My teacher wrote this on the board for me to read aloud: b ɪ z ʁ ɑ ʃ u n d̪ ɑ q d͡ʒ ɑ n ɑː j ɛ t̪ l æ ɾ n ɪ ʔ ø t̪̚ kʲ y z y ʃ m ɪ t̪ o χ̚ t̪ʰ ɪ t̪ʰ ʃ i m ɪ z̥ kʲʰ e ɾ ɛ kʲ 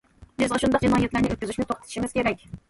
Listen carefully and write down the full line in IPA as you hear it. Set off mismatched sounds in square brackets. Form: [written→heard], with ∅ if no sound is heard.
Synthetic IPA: b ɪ z ʁ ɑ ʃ u n d̪ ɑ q d͡ʒ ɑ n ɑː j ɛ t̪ l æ ɾ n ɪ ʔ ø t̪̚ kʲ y z y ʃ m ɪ t̪ o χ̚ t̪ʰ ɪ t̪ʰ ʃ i m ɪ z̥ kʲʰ e ɾ ɛ kʲ